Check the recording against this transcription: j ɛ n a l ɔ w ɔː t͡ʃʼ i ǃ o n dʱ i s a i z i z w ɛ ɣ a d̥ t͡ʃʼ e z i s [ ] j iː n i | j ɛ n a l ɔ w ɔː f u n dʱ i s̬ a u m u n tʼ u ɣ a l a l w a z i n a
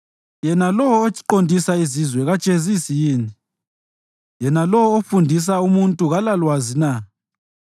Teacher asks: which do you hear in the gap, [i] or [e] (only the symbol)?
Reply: i